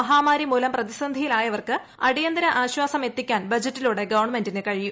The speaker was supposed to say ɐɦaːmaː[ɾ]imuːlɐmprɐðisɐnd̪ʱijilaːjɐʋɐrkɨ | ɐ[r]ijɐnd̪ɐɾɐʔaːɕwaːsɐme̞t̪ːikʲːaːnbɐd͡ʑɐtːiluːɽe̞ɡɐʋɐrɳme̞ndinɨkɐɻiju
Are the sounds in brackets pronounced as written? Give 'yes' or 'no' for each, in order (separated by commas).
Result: yes, no